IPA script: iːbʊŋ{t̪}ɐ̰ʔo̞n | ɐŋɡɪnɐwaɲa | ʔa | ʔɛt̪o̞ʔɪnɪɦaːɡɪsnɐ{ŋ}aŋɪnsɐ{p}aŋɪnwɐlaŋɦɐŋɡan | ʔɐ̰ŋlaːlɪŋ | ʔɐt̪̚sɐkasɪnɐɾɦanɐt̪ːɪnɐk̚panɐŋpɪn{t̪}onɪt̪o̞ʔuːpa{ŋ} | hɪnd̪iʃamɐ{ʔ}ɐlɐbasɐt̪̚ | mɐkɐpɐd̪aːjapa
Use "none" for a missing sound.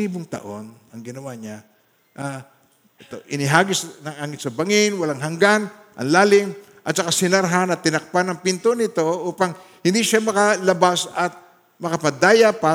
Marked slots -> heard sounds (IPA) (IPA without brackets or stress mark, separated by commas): t̪, ŋ, b, t̪, ŋ, k